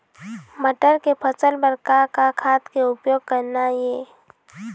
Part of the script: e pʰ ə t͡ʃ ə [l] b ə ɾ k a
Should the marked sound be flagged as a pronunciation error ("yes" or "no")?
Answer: no